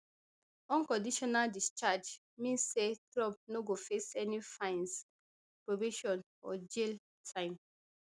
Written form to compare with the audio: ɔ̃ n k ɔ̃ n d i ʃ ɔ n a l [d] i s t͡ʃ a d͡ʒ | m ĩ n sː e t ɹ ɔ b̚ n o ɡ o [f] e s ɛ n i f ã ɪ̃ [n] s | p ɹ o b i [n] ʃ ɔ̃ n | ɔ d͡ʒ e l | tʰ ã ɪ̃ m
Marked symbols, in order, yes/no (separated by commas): yes, yes, yes, no